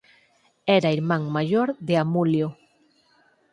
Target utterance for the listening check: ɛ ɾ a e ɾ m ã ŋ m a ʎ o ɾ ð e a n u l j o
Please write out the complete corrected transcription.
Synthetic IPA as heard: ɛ ɾ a i ɾ m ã ŋ m a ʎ o ɾ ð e a m u l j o